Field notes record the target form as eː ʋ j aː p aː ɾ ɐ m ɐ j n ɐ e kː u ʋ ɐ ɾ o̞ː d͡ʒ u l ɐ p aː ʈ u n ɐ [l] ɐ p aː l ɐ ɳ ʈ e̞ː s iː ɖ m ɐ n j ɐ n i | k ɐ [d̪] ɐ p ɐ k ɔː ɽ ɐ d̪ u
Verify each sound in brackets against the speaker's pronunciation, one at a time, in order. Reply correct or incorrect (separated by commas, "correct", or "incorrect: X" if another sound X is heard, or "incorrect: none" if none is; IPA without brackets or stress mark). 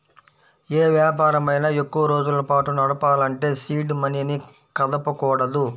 incorrect: ɽ, correct